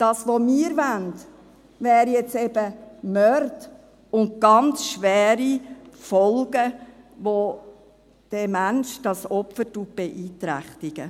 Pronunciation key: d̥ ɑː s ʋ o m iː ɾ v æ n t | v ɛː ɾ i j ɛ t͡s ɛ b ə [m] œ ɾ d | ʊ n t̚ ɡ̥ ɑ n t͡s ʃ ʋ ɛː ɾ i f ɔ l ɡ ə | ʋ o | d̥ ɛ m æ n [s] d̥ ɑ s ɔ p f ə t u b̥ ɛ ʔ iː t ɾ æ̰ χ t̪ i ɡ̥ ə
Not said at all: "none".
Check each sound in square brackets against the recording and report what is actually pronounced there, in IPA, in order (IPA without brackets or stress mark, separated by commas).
m, ʃ